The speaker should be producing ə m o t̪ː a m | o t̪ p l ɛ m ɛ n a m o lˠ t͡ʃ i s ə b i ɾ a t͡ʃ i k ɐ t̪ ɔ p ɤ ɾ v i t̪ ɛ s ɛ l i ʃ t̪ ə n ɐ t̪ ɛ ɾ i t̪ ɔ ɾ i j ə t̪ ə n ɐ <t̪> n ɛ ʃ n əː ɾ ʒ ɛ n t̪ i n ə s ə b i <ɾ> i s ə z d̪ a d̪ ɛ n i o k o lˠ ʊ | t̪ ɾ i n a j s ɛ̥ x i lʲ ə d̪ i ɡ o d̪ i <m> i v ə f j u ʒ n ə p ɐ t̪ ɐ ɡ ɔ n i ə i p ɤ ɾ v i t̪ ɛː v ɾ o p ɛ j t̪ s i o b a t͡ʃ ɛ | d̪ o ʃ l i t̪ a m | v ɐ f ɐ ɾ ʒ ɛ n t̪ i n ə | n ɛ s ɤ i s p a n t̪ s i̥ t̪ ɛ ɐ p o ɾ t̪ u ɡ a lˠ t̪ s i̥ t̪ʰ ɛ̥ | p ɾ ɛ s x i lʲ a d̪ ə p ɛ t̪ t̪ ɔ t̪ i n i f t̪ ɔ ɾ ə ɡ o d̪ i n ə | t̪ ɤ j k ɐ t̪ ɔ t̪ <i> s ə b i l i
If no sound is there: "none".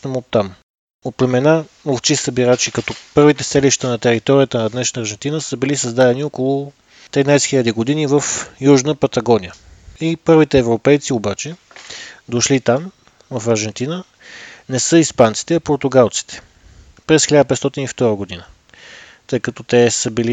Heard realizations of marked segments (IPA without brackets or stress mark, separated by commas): d̪, l, n, ɛ